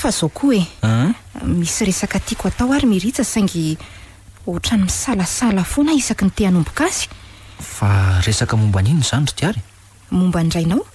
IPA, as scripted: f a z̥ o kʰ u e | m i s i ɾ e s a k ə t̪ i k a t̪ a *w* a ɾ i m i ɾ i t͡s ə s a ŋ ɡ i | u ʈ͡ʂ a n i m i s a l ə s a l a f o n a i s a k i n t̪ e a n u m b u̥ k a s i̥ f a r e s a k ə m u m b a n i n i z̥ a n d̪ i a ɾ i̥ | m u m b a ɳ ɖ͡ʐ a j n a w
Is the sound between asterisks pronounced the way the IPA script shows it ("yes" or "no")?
yes